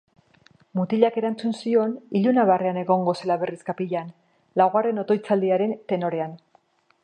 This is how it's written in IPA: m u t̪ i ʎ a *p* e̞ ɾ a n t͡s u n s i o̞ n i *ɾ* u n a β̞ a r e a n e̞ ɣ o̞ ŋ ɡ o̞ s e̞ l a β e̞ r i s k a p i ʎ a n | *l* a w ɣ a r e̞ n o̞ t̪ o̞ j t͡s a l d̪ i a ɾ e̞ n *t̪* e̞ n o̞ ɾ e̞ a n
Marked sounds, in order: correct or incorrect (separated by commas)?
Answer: incorrect, incorrect, correct, correct